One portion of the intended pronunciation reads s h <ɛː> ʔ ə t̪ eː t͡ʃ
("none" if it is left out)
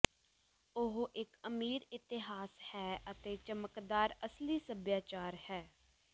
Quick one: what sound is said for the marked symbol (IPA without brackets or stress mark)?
ɛː